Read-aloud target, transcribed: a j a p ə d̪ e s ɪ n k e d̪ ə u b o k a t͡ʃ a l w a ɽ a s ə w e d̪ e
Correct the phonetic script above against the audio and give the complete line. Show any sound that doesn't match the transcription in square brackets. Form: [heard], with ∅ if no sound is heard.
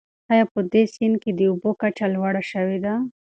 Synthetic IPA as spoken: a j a p ə d̪ e s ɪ n k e d̪ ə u b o k a t͡ʃ a l w a ɽ a [ʃ] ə w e d̪ [a]